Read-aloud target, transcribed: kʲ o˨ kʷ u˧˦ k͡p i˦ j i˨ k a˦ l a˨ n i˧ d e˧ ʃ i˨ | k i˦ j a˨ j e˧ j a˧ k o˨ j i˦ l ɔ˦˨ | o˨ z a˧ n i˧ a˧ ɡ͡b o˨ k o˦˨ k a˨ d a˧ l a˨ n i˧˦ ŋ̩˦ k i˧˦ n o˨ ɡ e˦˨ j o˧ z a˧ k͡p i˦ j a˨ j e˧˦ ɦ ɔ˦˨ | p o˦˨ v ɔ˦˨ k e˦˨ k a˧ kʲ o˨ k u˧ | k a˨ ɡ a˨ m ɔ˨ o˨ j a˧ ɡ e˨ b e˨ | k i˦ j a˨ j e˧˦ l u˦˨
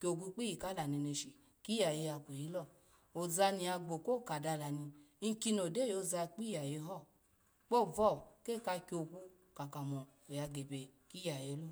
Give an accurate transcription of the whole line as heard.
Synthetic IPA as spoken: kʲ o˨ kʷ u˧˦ k͡p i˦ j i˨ k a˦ l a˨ n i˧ n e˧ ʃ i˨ | k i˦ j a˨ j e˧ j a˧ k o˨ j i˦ l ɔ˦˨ | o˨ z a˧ n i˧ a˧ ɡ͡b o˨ k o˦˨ k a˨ d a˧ l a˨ n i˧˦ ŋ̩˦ k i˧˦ n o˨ d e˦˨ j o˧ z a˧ k͡p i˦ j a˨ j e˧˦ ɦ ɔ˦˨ | k͡p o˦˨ v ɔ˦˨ k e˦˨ k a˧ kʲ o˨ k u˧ | k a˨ k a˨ m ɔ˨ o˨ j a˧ ɡ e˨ b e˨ | k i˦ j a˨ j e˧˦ l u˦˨

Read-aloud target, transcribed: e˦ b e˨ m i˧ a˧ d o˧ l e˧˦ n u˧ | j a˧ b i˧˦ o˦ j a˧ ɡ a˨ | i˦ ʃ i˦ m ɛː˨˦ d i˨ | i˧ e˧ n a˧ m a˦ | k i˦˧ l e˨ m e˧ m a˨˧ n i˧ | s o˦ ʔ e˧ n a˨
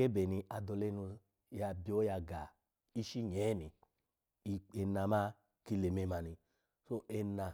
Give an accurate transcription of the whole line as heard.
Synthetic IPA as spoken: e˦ b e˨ n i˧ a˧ d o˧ l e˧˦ n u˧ | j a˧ b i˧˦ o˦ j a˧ ɡ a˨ | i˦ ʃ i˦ ɲ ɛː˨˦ n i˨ | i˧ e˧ n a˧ m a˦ | k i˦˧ l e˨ m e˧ m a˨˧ n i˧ | s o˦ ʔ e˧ n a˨

